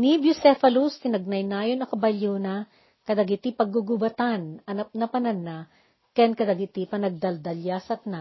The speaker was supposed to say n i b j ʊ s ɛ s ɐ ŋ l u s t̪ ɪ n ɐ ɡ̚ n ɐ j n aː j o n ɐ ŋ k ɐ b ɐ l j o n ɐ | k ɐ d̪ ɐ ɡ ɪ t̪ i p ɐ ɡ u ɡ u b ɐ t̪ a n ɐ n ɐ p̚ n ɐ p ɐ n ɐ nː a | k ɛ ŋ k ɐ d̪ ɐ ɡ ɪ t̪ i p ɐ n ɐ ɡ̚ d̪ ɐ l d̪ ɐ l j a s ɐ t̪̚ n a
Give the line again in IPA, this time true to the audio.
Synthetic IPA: n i b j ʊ s ɛ f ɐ l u s t̪ ɪ n ɐ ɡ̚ n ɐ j n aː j o n ɐ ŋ k ɐ b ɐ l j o n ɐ | k ɐ d̪ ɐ ɡ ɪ t̪ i p ɐ ɡ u ɡ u b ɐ t̪ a n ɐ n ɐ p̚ n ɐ p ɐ n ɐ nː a | k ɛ n k ɐ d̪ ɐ ɡ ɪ t̪ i p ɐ n ɐ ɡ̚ d̪ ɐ l d̪ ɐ l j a s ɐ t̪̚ n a